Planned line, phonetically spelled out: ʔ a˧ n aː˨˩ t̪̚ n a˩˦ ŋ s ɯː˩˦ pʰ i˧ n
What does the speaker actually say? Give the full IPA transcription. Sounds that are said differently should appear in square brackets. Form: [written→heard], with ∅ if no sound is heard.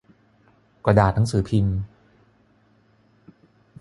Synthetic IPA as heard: [ʔ→k] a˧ [n→d] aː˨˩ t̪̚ n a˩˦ ŋ s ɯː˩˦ pʰ i˧ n